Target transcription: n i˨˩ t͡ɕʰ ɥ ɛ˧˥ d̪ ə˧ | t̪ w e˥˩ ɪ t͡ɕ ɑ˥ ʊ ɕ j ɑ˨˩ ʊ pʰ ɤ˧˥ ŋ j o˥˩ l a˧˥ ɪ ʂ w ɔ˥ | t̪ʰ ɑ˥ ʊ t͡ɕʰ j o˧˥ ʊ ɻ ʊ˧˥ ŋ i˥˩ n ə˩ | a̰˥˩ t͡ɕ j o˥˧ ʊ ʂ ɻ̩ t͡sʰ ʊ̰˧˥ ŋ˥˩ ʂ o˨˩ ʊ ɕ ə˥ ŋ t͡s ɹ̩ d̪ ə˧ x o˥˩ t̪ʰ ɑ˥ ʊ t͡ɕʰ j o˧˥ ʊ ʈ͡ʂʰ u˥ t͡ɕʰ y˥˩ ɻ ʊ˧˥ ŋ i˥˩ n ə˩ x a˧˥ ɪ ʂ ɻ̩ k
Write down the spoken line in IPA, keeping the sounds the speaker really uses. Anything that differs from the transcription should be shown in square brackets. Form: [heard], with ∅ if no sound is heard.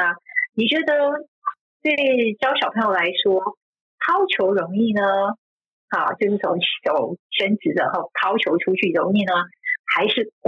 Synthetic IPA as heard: n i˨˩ [t͡ɕ] ɥ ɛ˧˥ d̪ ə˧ | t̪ w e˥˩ ɪ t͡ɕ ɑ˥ ʊ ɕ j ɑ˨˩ ʊ pʰ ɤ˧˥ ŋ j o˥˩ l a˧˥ ɪ ʂ w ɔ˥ | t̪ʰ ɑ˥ ʊ t͡ɕʰ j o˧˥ ʊ ɻ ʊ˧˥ ŋ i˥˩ n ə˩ | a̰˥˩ t͡ɕ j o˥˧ ʊ ʂ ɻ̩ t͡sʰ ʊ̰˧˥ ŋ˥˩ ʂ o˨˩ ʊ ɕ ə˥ [n] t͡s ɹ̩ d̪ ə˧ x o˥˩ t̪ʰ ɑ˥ ʊ t͡ɕʰ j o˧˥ ʊ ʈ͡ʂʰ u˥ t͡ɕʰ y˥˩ ɻ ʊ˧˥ ŋ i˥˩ n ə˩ x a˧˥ ɪ ʂ ɻ̩ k